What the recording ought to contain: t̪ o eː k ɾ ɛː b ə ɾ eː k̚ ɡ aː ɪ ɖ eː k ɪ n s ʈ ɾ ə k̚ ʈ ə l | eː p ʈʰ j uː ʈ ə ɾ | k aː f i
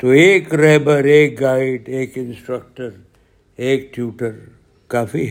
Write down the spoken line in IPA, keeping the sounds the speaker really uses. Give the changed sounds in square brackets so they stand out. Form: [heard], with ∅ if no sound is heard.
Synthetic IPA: t̪ o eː k ɾ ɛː b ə ɾ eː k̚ ɡ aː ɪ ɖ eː k ɪ n s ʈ ɾ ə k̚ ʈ ə [ɾ] | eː [k] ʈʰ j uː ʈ ə ɾ | k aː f i